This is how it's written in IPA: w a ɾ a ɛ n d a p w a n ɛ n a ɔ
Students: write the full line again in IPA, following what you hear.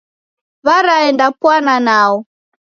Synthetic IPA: β a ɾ a ɛ n d a p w a n a n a ɔ